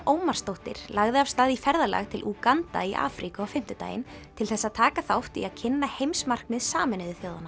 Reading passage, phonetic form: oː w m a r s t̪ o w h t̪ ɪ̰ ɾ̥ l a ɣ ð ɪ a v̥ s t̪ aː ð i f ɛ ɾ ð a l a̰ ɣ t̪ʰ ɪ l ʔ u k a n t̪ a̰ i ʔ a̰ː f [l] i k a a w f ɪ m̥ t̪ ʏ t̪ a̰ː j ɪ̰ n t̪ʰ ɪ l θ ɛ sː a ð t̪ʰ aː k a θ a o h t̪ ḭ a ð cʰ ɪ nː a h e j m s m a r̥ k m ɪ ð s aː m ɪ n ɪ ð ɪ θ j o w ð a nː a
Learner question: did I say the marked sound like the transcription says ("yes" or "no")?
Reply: no